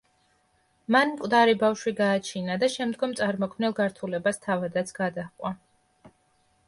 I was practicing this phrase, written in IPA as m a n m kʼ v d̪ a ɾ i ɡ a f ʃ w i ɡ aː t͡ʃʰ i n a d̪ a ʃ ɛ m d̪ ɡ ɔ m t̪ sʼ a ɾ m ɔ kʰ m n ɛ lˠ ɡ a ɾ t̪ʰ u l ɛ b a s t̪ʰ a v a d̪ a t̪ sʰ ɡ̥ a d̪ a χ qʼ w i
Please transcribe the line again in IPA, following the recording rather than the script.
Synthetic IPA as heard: m a n m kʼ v d̪ a ɾ i b a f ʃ w i ɡ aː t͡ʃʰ i n a d̪ a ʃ ɛ m d̪ ɡ ɔ m t̪ sʼ a ɾ m ɔ kʰ m n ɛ lˠ ɡ a ɾ t̪ʰ u l ɛ b a s t̪ʰ a v a d̪ a t̪ sʰ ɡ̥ a d̪ a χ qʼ w a